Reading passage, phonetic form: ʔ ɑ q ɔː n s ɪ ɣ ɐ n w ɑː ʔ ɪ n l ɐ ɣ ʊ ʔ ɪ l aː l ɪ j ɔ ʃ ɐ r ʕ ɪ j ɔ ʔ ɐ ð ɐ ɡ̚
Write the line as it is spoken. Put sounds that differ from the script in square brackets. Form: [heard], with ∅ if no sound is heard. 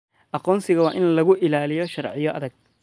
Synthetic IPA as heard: ʔ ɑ q ɔː n s ɪ ɣ ɐ [∅] w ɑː ʔ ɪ n l ɐ ɣ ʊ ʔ ɪ l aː l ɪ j ɔ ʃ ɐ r ʕ ɪ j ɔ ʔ ɐ ð ɐ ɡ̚